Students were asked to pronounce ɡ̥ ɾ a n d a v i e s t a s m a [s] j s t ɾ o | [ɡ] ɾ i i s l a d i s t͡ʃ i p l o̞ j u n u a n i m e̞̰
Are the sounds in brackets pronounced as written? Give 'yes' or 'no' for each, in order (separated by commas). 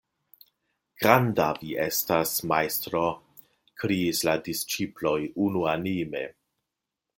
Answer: no, no